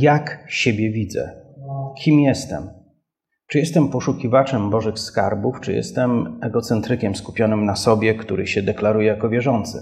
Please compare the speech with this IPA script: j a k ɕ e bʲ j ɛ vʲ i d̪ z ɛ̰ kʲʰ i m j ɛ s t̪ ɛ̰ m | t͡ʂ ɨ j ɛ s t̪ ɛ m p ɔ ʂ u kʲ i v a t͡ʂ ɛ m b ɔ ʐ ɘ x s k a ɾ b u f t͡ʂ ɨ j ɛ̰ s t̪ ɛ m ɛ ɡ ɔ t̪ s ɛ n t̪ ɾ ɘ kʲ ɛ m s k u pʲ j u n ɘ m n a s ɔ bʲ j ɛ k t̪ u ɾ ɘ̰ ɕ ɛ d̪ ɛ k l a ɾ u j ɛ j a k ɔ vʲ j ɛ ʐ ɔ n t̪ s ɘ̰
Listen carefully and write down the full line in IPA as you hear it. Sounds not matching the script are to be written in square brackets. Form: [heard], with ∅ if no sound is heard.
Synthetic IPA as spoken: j a k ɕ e bʲ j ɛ vʲ i d̪ z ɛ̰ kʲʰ i m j ɛ s t̪ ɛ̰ m | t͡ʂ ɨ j ɛ s t̪ ɛ m p ɔ ʂ u kʲ i v a t͡ʂ ɛ m b ɔ ʐ ɘ x s k a ɾ b u f t͡ʂ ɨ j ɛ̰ s t̪ ɛ m ɛ ɡ ɔ t̪ s ɛ n t̪ ɾ ɘ kʲ ɛ m s k u pʲ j [ɔ] n ɘ m n a s ɔ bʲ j ɛ k t̪ u ɾ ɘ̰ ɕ ɛ d̪ ɛ k l a ɾ u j ɛ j a k ɔ vʲ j ɛ ʐ ɔ n t̪ s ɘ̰